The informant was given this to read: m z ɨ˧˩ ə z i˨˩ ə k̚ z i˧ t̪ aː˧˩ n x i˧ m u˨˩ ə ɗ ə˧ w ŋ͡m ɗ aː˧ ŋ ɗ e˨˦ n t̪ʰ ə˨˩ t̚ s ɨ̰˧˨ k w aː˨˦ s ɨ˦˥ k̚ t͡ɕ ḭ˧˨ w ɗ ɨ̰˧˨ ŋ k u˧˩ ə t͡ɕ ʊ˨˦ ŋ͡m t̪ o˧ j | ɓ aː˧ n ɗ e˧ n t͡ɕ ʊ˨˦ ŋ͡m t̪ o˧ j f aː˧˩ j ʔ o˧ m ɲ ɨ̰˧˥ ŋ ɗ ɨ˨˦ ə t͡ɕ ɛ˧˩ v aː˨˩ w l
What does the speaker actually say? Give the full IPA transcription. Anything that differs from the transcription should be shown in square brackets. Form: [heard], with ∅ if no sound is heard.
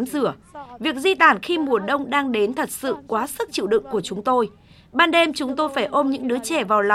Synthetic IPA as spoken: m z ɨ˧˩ ə [v] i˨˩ ə k̚ z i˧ t̪ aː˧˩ n x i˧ m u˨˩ ə ɗ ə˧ w ŋ͡m ɗ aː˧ ŋ ɗ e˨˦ n t̪ʰ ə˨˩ t̚ s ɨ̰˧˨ k w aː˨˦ s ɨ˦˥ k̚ t͡ɕ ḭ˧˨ w ɗ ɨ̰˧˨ ŋ k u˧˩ ə t͡ɕ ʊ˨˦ ŋ͡m t̪ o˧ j | ɓ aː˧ n ɗ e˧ [m] t͡ɕ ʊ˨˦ ŋ͡m t̪ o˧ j f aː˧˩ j ʔ o˧ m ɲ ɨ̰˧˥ ŋ ɗ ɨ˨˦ ə t͡ɕ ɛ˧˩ v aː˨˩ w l